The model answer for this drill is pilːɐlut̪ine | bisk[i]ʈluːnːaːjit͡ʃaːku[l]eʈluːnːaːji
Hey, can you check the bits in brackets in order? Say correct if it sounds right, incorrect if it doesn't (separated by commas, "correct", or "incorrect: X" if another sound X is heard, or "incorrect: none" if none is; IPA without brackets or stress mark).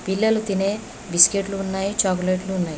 incorrect: e, correct